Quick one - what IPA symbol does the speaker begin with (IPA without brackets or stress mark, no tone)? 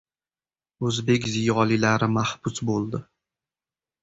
ɵ